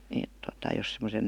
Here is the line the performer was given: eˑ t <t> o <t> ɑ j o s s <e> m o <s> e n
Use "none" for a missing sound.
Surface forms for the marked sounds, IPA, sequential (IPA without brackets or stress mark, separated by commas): t, t, e, s